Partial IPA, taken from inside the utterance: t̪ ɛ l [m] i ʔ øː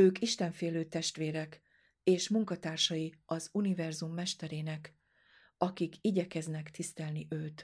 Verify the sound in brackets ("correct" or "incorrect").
incorrect